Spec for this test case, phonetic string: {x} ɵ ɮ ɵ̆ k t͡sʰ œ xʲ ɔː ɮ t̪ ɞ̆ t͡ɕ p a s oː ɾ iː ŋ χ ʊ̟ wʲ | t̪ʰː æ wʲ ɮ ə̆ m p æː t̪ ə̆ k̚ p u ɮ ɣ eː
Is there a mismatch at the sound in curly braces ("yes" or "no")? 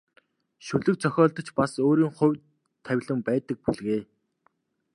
yes